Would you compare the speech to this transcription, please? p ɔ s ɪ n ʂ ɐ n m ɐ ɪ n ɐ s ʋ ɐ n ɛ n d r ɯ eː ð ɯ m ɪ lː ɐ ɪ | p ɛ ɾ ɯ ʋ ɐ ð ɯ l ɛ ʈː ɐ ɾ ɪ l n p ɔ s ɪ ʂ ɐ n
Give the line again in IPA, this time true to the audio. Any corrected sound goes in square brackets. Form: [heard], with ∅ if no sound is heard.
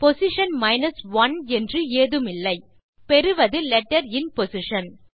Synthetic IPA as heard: p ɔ s ɪ [∅] ʂ ɐ n m ɐ ɪ n ɐ s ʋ ɐ n ɛ n d r ɯ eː ð ɯ m ɪ lː ɐ ɪ | p ɛ ɾ ɯ ʋ ɐ ð ɯ l ɛ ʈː ɐ ɾ ɪ [∅] n p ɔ s ɪ ʂ ɐ n